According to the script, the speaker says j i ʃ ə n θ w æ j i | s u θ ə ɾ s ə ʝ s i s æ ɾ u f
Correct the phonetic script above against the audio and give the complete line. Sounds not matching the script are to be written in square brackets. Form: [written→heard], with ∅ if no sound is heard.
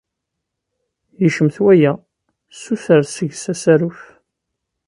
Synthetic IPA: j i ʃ ə [n→m] θ w æ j [i→æ] | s u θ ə ɾ s ə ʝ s [i→æ] s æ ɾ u f